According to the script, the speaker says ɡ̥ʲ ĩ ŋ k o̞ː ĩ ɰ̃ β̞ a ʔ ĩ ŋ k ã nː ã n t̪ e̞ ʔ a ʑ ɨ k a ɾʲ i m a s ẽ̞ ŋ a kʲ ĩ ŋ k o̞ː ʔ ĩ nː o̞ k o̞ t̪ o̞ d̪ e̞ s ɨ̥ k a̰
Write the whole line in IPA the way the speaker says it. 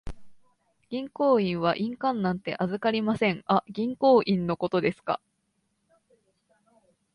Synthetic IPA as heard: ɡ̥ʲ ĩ ŋ k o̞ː ĩ ɰ̃ β̞ a ʔ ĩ ŋ k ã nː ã n t̪ e̞ ʔ a z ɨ k a ɾʲ i m a s ẽ̞ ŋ a ɡʲ ĩ ŋ k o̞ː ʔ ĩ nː o̞ k o̞ t̪ o̞ d̪ e̞ s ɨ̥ k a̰